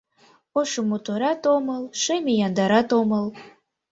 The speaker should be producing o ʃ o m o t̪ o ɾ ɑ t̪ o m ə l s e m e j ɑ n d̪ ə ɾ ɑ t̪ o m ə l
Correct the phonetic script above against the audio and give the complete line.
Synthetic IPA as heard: o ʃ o m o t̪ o ɾ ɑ t̪ o m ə l ʃ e m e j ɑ n d̪ ɑ ɾ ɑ t̪ o m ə l